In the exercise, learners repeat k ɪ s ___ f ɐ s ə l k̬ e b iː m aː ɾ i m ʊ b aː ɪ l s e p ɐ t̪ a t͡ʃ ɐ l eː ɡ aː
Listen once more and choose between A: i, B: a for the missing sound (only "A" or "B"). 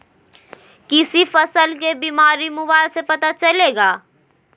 A